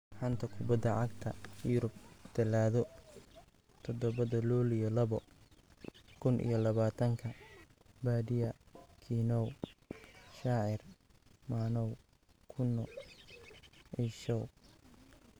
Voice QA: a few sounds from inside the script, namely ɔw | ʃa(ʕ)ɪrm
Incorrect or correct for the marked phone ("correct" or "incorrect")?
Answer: correct